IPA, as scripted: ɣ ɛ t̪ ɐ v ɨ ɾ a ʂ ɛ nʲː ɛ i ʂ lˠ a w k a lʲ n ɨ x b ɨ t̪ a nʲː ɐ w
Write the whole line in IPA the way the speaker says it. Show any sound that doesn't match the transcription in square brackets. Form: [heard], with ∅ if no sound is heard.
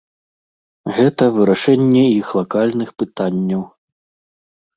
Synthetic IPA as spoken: ɣ ɛ t̪ ɐ v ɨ ɾ a ʂ ɛ nʲː ɛ i [x] lˠ a [∅] k a lʲ n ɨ x [p] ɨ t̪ a nʲː ɐ w